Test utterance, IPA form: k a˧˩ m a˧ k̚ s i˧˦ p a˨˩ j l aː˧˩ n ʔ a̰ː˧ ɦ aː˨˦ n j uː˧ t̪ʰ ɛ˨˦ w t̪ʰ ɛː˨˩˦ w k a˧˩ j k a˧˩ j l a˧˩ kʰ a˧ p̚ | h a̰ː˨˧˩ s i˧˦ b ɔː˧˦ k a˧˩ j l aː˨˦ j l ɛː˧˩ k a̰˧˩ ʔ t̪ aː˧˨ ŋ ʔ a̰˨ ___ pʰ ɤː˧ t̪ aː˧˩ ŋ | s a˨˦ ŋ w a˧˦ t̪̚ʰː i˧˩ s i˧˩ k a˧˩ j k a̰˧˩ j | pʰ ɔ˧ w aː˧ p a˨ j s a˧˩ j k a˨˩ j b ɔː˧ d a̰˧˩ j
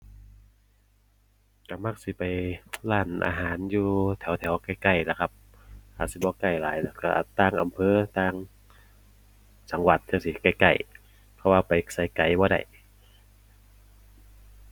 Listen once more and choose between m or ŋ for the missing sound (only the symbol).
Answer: m